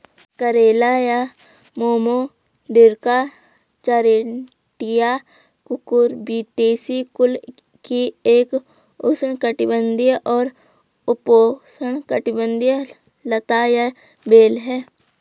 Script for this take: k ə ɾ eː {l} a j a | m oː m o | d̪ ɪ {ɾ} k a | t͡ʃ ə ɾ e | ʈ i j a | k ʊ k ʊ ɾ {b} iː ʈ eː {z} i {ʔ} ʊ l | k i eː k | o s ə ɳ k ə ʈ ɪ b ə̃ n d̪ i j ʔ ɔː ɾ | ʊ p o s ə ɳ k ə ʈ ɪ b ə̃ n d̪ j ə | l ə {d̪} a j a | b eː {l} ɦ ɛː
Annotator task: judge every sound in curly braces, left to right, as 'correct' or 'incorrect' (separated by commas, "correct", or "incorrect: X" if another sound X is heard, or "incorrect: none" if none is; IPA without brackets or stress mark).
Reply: correct, correct, correct, incorrect: s, incorrect: k, incorrect: t̪, correct